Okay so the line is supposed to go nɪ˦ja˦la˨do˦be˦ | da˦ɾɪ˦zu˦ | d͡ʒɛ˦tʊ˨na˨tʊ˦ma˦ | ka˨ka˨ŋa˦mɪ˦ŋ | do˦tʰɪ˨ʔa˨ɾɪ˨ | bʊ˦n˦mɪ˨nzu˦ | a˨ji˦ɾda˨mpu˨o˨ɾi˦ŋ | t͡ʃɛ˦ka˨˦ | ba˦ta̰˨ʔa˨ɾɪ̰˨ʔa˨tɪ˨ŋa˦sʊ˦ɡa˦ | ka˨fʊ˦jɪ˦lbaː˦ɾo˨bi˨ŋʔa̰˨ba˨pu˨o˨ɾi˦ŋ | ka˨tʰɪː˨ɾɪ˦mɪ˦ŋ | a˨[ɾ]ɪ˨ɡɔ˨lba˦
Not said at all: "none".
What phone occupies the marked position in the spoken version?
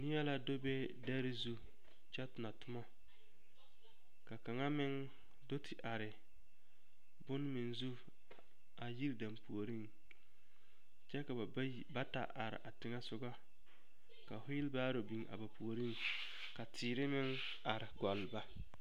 ɾ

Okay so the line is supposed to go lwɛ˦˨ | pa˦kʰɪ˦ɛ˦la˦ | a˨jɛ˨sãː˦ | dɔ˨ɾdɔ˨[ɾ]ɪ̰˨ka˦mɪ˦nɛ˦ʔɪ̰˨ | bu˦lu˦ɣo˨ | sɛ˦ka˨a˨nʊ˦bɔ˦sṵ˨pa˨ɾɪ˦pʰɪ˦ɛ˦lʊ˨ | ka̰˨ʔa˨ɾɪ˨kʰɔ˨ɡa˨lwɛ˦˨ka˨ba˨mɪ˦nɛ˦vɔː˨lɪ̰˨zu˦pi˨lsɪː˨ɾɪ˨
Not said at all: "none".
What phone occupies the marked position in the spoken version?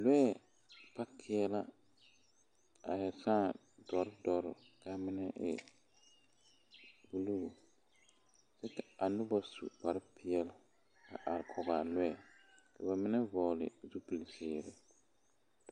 ɾ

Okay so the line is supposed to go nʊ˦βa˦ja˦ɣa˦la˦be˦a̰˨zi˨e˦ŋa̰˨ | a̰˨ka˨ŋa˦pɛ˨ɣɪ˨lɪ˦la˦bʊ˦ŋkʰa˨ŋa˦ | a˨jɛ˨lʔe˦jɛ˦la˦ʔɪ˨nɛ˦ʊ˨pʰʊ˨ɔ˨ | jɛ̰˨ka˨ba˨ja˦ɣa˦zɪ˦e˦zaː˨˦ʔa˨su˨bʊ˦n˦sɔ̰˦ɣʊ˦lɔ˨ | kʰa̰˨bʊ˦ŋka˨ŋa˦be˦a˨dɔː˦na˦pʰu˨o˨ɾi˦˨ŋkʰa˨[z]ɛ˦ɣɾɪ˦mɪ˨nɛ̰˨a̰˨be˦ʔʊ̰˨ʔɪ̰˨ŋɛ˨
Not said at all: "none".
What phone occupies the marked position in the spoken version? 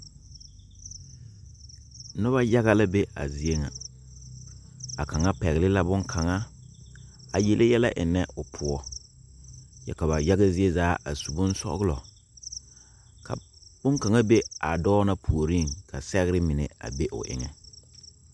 s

